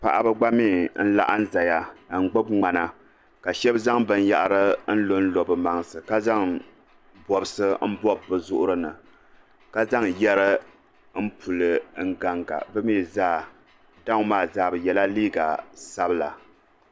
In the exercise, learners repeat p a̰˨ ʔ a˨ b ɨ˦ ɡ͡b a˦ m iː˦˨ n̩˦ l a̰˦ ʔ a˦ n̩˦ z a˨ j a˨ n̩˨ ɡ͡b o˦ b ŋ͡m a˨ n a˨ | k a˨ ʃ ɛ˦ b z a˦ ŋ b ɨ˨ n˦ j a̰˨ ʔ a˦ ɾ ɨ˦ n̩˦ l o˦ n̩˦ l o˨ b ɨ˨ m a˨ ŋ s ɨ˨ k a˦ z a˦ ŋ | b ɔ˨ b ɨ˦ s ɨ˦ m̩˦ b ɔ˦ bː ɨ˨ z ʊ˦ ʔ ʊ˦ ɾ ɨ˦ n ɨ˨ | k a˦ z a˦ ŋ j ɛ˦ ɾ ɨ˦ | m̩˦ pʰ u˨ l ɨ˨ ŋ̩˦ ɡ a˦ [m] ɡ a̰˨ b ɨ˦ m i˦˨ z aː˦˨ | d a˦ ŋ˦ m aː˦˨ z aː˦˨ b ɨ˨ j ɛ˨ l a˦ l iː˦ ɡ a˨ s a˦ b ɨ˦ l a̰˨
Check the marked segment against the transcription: incorrect: ŋ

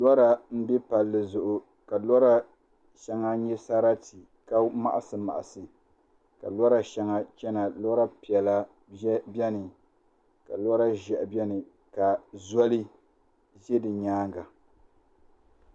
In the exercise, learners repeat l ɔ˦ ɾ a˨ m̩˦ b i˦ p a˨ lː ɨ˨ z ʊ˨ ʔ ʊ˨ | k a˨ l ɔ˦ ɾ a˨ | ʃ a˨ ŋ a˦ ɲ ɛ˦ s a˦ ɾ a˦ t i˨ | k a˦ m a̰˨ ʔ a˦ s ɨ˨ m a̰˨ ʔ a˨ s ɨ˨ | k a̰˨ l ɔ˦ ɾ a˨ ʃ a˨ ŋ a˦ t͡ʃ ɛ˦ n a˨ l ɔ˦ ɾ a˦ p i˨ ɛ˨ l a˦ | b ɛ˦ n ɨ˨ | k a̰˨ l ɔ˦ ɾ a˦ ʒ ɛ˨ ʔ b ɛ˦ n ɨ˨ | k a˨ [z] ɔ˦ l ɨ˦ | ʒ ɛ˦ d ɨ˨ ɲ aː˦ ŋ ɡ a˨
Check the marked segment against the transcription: correct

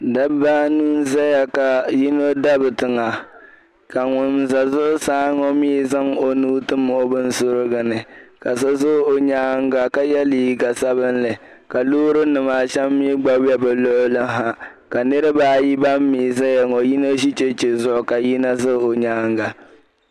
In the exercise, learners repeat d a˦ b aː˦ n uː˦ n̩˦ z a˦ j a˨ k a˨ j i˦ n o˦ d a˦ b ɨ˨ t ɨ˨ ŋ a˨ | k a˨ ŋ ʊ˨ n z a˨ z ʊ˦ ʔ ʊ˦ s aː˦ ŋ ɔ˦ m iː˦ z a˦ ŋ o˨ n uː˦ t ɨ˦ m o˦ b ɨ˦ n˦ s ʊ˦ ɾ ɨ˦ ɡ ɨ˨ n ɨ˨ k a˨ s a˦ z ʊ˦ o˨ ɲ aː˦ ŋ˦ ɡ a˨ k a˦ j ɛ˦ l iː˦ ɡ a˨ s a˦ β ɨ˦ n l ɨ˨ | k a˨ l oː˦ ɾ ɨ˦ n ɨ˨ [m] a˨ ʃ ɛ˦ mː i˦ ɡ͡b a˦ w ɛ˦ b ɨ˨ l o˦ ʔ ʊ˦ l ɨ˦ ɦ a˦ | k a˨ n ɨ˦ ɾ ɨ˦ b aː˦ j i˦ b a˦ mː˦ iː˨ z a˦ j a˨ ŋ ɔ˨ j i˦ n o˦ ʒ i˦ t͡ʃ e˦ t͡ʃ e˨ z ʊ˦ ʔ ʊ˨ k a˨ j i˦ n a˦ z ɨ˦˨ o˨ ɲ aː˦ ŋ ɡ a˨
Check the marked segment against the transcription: correct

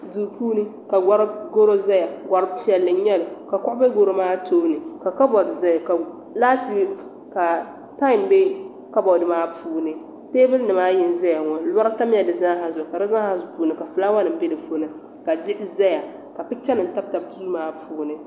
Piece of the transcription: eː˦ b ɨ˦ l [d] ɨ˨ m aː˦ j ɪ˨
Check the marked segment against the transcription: incorrect: n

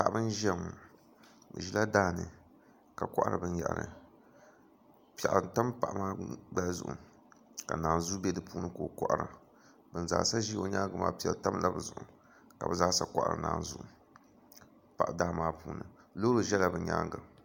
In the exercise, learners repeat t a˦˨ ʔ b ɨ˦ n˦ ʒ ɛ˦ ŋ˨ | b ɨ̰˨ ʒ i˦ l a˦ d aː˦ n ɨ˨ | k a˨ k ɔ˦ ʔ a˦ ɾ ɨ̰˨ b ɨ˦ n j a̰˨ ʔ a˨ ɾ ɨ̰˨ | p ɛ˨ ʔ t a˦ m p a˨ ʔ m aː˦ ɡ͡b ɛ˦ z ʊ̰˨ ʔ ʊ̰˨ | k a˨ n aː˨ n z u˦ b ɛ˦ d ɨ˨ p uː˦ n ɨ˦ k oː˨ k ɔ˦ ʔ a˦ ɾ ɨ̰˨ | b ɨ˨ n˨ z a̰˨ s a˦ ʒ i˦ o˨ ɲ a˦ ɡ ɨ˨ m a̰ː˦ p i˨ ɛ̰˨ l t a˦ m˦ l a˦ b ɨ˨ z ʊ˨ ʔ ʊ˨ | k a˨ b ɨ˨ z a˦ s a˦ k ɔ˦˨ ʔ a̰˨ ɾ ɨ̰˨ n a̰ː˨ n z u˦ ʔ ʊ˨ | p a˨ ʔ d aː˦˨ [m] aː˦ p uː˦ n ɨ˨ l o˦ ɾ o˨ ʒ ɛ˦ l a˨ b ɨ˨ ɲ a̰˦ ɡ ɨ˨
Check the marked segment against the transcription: correct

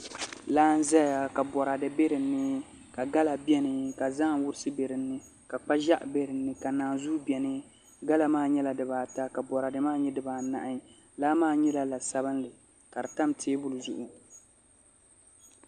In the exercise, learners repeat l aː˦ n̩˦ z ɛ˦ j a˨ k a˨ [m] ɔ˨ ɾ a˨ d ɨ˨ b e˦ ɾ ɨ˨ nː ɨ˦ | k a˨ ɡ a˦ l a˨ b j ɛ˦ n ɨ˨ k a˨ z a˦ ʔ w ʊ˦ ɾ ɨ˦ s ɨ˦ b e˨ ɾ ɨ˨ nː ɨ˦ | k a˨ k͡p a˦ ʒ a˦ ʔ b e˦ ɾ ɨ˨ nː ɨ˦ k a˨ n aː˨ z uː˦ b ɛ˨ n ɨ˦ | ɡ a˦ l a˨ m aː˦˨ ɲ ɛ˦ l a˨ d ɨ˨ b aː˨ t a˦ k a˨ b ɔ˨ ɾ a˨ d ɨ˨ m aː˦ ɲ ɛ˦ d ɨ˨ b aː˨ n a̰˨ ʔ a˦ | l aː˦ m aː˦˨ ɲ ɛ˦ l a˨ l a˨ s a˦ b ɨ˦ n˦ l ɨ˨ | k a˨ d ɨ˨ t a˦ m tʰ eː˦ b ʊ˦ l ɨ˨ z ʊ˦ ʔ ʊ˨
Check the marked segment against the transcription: incorrect: b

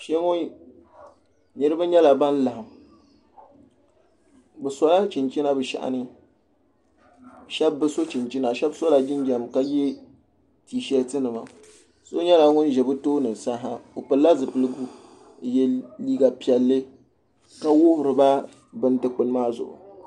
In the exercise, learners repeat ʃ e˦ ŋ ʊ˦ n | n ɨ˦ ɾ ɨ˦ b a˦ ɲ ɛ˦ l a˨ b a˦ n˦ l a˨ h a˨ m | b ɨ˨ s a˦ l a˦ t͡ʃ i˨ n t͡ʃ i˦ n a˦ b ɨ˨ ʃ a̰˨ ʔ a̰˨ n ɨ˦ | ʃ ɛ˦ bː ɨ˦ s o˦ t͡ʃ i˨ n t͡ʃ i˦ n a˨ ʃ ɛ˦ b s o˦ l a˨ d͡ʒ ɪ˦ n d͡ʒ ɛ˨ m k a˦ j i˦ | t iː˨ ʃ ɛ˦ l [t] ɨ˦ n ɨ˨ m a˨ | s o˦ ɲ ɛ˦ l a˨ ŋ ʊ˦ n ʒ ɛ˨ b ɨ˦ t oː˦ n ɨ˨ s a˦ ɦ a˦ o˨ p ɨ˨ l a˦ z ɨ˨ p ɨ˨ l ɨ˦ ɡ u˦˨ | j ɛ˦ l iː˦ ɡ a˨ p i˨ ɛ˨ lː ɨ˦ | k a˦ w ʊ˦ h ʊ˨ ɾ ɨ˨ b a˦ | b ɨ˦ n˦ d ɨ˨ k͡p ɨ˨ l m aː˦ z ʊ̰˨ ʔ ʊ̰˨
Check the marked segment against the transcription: correct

